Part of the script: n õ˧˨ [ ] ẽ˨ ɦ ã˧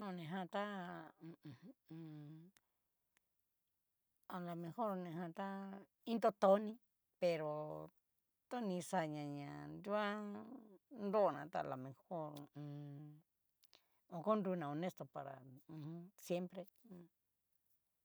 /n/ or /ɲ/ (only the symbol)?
n